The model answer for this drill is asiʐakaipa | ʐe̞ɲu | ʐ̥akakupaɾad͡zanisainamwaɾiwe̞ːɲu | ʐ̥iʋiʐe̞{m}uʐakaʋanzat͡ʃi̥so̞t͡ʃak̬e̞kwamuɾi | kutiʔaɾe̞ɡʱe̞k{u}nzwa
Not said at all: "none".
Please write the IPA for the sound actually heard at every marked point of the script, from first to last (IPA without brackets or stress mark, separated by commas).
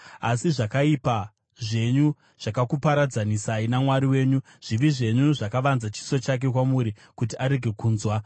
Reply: ɲ, uː